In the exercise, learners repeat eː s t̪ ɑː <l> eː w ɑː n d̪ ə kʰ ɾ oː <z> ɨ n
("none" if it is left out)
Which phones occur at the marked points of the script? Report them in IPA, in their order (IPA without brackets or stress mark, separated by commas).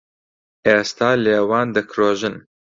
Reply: l, ʒ